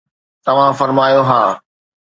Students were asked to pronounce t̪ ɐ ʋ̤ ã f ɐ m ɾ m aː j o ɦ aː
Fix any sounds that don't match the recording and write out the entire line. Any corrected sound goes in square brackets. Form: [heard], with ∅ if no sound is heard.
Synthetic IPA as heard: t̪ ɐ ʋ̤ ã f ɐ [∅] ɾ m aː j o ɦ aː